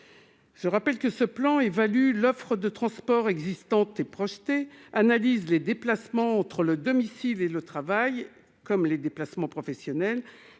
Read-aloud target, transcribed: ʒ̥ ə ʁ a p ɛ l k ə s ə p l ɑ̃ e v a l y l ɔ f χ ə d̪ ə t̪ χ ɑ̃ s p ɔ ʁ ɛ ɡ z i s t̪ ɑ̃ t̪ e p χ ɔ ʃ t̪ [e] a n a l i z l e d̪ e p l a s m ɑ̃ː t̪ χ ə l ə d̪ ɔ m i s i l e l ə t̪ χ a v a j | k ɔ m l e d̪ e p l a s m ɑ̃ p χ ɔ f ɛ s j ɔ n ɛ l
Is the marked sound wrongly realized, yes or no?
no